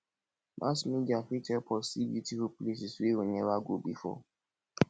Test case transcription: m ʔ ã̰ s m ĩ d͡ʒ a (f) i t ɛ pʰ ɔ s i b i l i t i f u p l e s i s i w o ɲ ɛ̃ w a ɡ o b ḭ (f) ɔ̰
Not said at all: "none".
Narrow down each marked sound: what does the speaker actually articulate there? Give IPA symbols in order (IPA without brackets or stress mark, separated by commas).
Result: f, f